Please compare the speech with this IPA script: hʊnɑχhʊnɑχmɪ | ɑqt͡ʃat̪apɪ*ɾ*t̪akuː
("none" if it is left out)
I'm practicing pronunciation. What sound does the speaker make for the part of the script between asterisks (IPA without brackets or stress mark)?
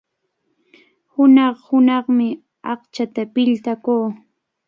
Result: ʎ